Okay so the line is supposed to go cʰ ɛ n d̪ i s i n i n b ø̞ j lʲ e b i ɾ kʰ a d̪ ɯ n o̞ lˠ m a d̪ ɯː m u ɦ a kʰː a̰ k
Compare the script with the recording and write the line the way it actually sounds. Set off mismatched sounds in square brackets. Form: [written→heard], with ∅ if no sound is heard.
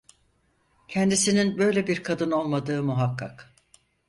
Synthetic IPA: cʰ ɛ n d̪ i s i n i n b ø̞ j lʲ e b i ɾ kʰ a d̪ ɯ n o̞ lˠ m a d̪ ɯː m u ɦ a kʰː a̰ k